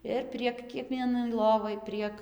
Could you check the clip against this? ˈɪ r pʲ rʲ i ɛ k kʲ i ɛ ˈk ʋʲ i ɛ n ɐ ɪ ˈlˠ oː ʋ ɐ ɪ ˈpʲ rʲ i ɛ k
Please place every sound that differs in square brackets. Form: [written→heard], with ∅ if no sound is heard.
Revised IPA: ˈɪ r pʲ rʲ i ɛ k kʲ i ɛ ˈk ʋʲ i ɛ n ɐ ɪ ˈlˠ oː ʋ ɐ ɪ ˈpʲ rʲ i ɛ k